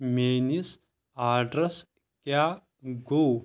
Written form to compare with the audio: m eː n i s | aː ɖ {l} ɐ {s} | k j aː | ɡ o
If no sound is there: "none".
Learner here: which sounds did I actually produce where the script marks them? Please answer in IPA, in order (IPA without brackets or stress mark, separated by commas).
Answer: ɾ, s